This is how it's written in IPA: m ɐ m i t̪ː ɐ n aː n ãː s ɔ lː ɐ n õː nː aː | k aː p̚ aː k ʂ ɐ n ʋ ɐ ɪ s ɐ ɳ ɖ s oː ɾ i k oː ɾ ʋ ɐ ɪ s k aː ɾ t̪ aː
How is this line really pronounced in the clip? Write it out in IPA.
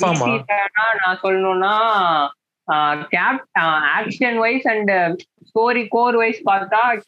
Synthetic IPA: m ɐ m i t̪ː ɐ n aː n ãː s ɔ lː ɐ n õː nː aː | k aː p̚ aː k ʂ ɐ n ʋ ɐ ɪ s ɐ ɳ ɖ s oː ɾ i k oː ɾ ʋ ɐ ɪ s p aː ɾ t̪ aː